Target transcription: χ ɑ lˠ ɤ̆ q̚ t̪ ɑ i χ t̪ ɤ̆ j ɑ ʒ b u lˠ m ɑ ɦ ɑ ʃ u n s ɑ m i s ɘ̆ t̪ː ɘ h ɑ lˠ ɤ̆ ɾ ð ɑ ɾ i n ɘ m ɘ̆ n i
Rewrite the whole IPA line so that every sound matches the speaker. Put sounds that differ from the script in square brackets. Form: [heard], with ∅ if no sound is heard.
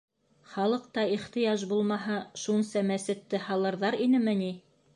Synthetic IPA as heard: χ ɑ lˠ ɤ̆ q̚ t̪ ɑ i χ t̪ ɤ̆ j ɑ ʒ b u lˠ m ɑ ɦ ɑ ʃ u n s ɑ m [æ] s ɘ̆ t̪ː ɘ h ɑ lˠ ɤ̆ ɾ ð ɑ ɾ i n ɘ m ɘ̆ n i